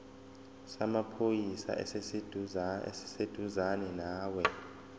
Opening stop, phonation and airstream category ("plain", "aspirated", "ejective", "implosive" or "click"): aspirated